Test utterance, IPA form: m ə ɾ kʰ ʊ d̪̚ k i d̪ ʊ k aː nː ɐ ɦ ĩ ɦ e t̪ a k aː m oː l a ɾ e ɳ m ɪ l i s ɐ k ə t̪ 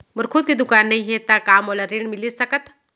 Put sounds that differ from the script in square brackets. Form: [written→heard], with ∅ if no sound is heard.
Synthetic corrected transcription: m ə ɾ kʰ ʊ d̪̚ k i d̪ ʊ k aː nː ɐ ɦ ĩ ɦ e t̪ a k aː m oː l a ɾ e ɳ m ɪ l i s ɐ k ə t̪